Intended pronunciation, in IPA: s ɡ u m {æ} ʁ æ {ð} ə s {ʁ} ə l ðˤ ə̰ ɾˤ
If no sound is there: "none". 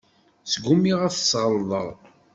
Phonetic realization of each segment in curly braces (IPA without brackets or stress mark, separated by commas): i, θ, ʁ